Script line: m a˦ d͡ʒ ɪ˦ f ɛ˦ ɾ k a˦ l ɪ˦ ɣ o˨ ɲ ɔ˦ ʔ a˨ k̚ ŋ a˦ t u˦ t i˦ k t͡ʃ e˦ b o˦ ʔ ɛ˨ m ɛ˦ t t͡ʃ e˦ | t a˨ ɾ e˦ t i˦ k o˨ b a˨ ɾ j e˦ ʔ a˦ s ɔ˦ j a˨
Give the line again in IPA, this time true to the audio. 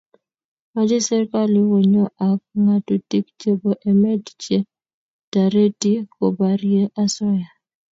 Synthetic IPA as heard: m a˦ d͡ʒ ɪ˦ s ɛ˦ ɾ k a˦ l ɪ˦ w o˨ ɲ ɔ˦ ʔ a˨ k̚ ŋ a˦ t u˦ t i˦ k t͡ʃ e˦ b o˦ ʔ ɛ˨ m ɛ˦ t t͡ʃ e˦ | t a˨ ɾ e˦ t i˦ k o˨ b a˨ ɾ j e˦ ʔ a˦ s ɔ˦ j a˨